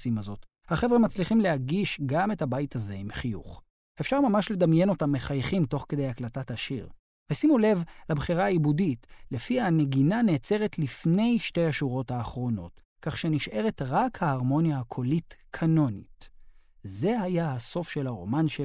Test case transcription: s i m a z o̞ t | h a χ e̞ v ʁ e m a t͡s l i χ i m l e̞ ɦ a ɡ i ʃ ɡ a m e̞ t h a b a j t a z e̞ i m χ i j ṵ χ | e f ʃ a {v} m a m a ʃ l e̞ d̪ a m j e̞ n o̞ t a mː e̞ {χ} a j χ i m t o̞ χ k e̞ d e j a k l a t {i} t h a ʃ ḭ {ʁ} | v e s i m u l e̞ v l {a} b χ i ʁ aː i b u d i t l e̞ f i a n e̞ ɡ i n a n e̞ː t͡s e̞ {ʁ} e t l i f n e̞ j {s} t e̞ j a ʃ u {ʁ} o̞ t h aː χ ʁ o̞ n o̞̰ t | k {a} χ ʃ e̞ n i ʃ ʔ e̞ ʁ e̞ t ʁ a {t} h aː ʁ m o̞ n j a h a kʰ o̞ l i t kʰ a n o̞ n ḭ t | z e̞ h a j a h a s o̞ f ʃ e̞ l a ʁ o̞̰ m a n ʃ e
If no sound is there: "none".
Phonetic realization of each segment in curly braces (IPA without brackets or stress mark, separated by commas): ʁ, χ, a, ʁ, a, ʁ, ʃ, ʁ, a, k